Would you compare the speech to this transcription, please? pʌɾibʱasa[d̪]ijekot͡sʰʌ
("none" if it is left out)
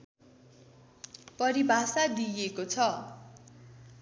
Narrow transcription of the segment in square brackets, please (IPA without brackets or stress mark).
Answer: d̪